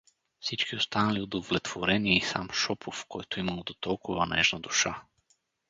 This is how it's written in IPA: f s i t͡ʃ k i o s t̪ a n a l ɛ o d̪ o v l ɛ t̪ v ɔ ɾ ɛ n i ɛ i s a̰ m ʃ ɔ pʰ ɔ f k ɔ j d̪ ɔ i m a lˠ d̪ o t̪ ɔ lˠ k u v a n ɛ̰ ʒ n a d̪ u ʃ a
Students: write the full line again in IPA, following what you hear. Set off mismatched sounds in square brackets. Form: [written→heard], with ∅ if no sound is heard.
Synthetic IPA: f s i t͡ʃ k i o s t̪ a n a l [ɛ→i] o d̪ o v l ɛ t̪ v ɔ ɾ ɛ n i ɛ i s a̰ m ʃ ɔ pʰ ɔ f k ɔ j [d̪→t̪] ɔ i m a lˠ d̪ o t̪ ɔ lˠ k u v a n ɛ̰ ʒ n a d̪ u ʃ a